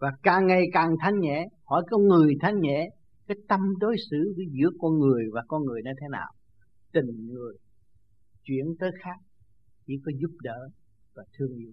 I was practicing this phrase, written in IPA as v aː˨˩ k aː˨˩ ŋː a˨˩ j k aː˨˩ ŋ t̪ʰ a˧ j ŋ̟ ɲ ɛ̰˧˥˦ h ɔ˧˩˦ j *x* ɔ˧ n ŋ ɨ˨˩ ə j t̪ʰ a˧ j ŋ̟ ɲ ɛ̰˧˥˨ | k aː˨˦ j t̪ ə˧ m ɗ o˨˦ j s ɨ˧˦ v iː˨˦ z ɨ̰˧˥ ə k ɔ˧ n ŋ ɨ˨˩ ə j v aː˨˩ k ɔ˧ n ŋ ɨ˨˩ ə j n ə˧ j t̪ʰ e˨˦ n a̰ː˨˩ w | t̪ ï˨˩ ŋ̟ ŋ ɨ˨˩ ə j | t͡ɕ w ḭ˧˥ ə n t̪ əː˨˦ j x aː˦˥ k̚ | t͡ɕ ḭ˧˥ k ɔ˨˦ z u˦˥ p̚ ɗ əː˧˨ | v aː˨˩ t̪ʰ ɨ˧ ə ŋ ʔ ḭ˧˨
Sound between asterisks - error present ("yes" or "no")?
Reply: yes